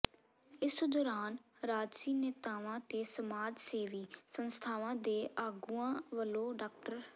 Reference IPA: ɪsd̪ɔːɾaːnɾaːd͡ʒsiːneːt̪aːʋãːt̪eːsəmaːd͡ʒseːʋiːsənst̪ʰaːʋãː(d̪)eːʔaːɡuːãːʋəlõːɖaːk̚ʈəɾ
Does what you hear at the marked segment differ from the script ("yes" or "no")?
no